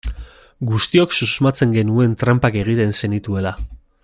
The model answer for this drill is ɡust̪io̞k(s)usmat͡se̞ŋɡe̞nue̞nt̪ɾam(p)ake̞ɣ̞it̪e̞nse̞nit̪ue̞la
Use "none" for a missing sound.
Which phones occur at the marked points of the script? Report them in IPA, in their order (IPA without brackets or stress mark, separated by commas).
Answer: s, p